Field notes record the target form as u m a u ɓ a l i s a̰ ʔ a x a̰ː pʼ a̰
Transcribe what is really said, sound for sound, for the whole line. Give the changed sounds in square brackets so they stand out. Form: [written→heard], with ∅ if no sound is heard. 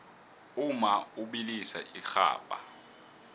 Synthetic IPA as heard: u m a u ɓ [a→i] l i s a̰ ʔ [a→i] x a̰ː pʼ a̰